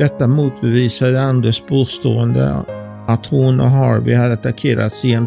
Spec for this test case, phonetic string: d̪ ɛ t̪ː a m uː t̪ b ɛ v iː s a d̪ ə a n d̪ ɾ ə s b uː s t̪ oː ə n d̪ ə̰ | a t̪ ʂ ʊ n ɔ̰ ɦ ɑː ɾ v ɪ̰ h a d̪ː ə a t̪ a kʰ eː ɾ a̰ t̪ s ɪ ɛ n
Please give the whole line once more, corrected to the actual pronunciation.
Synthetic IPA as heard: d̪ ɛ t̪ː a m uː t̪ b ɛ v iː s a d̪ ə a n d̪ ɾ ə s b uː s t̪ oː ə n d̪ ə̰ | a t̪ h ʊ n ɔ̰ ɦ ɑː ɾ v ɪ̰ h a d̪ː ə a t̪ a kʰ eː ɾ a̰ t̪ s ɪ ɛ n